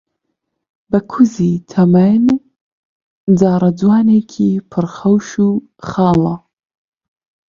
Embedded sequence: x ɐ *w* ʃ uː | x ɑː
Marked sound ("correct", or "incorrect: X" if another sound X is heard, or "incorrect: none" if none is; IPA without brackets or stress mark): correct